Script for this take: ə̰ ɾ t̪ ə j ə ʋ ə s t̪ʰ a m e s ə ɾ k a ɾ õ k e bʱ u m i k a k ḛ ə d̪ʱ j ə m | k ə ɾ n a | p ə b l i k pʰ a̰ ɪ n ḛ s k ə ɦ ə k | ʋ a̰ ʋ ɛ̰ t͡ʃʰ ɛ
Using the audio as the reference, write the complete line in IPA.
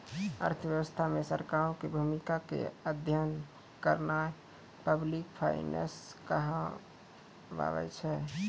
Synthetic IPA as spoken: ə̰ ɾ t̪ʰ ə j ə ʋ ə s t̪ʰ a m e s ə ɾ k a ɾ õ k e bʱ u m i k a k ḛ ə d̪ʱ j ə n | k ə ɾ n a | p ə b l i k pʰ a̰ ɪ n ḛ s k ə ɦ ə | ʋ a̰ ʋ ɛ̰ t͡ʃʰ ɛ